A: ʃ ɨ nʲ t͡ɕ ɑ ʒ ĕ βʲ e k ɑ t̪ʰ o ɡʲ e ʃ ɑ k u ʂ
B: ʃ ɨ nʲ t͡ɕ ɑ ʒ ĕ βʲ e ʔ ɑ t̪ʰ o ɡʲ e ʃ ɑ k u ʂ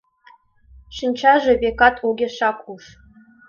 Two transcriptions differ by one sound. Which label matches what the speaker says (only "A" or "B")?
A